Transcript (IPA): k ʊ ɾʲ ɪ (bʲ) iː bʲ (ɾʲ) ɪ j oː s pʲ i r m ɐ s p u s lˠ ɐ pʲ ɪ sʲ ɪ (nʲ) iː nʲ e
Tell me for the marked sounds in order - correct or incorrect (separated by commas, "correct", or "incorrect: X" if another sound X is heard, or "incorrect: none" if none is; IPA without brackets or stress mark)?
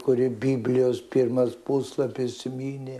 correct, incorrect: lʲ, incorrect: mʲ